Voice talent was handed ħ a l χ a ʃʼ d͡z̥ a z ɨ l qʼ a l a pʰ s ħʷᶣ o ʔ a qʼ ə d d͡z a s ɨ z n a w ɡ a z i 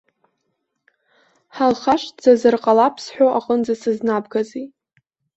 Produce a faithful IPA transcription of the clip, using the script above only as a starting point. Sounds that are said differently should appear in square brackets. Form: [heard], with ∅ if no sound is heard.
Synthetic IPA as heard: ħ a l χ a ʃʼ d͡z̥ a z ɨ [r] qʼ a l a pʰ s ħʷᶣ o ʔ a qʼ ə [n] d͡z a s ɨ z n a [b] ɡ a z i